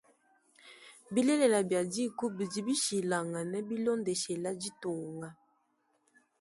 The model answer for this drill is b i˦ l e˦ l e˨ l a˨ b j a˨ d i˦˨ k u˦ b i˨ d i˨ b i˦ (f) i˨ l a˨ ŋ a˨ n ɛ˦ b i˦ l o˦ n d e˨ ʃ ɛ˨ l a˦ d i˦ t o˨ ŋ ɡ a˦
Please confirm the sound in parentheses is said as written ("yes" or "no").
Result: no